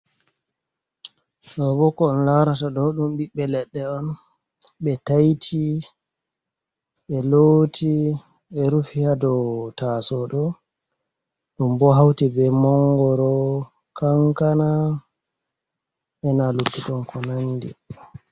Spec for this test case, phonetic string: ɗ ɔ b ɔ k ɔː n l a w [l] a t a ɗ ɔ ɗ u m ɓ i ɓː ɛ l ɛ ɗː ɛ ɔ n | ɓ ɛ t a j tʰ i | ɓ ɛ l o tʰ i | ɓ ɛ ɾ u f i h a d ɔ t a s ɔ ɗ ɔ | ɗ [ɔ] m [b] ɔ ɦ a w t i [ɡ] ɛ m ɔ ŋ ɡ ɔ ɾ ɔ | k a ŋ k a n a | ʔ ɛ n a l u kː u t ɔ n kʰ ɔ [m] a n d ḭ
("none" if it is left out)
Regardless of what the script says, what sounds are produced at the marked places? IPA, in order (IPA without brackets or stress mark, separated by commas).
ɾ, u, b, b, n